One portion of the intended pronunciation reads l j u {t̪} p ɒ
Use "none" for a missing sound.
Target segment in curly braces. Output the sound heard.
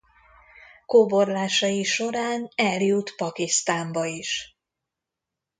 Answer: t̪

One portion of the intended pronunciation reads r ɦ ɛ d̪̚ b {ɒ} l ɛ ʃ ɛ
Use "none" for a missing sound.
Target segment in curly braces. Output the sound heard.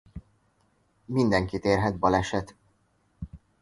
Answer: ɒ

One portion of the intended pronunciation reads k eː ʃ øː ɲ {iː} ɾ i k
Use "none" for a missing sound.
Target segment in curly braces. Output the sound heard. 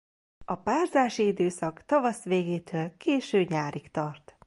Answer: aː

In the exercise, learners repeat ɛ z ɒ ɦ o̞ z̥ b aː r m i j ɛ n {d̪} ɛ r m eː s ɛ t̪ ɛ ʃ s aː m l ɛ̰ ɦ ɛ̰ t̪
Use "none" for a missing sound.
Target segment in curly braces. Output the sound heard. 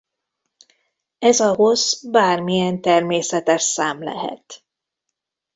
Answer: t̪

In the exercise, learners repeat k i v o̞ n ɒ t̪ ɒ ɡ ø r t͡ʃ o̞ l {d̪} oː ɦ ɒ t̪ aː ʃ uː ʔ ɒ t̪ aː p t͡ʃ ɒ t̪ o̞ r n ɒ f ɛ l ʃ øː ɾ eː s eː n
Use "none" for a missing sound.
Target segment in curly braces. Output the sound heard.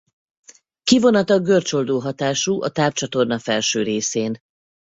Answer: d̪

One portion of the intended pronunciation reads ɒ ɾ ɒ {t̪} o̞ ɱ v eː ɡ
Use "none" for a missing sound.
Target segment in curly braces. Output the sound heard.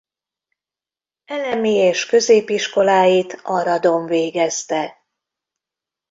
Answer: d̪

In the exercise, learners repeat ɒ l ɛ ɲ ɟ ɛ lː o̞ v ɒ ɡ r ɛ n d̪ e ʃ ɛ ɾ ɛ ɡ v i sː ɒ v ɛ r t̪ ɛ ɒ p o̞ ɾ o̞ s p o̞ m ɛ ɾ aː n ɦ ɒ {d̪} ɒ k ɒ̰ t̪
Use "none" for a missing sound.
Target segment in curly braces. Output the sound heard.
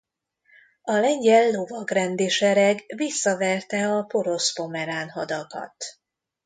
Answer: d̪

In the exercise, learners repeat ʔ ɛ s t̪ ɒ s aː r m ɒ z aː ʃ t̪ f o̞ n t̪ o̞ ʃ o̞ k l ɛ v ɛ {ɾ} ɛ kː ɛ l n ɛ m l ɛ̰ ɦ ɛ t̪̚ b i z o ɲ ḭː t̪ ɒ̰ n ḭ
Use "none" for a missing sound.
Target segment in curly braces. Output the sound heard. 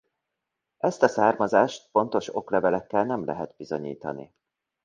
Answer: l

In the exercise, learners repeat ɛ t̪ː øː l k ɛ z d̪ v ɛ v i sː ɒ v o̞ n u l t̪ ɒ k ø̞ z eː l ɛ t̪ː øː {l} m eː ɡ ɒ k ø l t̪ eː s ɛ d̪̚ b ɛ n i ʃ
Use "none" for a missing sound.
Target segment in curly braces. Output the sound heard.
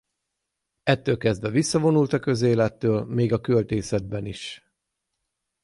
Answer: l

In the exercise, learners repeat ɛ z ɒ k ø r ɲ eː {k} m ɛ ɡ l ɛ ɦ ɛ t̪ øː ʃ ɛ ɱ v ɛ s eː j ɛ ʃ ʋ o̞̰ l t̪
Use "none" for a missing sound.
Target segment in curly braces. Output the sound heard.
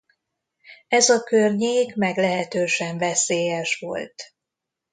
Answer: k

